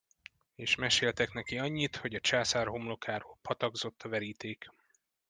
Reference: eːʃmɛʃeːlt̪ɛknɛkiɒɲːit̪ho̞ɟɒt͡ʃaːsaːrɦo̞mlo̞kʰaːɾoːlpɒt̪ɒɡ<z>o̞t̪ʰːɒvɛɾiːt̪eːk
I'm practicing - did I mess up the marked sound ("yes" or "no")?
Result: no